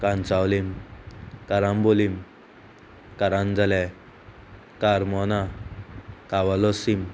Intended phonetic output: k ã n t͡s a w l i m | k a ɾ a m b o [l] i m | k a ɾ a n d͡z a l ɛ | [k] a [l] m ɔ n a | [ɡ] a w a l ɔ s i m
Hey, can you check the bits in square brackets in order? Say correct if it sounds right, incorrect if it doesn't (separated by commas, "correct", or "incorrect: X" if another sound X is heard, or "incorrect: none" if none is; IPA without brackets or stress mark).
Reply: correct, correct, incorrect: ɾ, incorrect: k